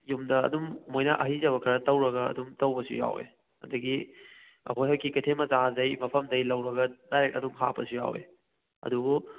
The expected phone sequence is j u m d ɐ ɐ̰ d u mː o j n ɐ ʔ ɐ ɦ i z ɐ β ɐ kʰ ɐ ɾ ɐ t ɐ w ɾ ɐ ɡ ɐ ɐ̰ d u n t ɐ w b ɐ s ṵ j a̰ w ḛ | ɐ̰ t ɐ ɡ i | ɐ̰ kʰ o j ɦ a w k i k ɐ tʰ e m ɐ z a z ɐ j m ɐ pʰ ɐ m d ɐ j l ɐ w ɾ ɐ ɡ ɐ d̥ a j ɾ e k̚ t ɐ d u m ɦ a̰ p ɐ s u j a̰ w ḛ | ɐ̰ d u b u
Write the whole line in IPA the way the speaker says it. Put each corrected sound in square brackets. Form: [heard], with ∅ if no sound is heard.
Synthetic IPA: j u m d ɐ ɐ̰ d u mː o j n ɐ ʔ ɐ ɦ i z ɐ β ɐ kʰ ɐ ɾ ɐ t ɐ w ɾ ɐ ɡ ɐ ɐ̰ d u [m] t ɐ w b ɐ s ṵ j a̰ w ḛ | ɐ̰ [d] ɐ ɡ i | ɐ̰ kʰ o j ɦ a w k i k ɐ tʰ e m ɐ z a z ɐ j m ɐ pʰ ɐ m d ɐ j l ɐ w ɾ ɐ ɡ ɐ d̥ a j ɾ e k̚ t ɐ d u m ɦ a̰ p ɐ s u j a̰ w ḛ | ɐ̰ d u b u